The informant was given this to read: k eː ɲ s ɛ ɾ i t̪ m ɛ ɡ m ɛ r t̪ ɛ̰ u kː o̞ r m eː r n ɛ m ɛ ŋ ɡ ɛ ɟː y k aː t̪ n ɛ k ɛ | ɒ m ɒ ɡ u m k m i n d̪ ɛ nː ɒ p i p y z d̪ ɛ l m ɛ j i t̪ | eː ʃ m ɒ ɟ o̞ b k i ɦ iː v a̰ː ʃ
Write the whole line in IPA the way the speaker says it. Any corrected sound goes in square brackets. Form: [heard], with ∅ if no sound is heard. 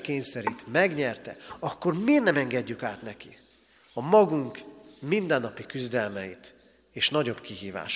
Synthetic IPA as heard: k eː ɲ s ɛ ɾ i t̪ m ɛ ɡ [ɲ] ɛ r t̪ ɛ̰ [ɒ] kː o̞ r m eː r n ɛ m ɛ ŋ ɡ ɛ ɟː y k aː t̪ n ɛ k [i] | ɒ m ɒ ɡ u [ŋ] k m i n d̪ ɛ nː ɒ p i [k] y z d̪ ɛ l m ɛ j i t̪ | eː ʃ [n] ɒ ɟ o̞ b k i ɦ iː v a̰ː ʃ